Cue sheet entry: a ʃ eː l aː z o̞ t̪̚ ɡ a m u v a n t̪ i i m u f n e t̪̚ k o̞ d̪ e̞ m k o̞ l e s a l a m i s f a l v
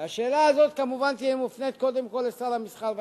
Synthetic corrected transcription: a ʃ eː l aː z o̞ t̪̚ k a m u v a n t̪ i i m u f n e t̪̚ k o̞ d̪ e̞ m k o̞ l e s a l a m i s χ a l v